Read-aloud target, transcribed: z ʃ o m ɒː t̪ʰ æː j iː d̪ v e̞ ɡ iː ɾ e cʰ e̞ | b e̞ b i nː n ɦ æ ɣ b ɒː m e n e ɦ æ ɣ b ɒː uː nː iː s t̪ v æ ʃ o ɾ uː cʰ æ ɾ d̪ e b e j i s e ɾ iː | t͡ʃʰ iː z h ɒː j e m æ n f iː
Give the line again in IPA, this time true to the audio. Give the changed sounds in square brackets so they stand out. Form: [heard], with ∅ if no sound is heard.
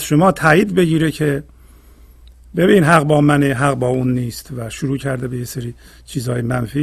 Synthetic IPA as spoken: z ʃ o m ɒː t̪ʰ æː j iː d̪ [b] e̞ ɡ iː ɾ e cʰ e̞ | b e̞ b i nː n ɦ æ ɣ b ɒː m [æ] n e ɦ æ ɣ b ɒː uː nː iː s t̪ v æ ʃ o ɾ uː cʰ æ ɾ d̪ e b e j [e] s e ɾ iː | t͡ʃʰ iː z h ɒː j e m æ n f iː